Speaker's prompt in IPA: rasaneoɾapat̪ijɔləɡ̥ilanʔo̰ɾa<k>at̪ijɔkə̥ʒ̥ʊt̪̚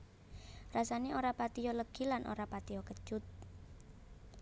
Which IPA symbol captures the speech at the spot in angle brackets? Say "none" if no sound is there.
p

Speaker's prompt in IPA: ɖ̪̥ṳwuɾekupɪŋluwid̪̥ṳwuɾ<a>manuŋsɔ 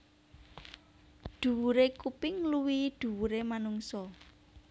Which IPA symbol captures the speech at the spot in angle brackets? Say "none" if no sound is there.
e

